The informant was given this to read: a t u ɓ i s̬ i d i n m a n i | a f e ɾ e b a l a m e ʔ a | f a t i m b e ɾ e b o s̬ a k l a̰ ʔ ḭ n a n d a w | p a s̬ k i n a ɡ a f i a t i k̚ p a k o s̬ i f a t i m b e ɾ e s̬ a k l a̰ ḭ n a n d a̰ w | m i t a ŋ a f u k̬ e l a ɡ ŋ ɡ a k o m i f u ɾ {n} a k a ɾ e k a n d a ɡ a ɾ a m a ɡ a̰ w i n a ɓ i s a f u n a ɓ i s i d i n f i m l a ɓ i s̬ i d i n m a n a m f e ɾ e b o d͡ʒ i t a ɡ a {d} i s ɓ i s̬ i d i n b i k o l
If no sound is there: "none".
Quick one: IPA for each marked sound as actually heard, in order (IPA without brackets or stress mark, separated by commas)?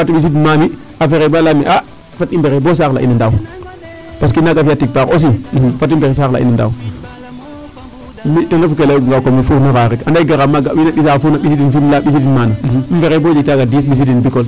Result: n, d